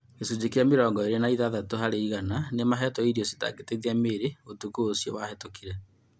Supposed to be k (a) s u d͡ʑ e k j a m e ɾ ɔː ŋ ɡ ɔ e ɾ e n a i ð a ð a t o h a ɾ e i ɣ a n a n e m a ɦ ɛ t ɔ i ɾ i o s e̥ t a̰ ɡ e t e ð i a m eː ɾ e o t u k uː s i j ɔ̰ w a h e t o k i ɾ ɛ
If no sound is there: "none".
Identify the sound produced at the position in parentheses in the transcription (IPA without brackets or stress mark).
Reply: e